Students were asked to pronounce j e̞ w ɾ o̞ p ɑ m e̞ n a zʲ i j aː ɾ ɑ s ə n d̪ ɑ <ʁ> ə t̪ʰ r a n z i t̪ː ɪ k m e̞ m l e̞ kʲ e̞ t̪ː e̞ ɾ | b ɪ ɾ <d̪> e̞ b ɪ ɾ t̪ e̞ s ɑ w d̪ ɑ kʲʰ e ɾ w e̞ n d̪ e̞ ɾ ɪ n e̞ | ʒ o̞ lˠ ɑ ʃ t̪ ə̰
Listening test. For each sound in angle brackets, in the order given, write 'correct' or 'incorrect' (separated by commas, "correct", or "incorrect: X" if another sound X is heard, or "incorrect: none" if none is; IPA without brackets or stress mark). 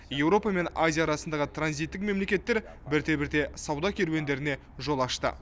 correct, incorrect: t̪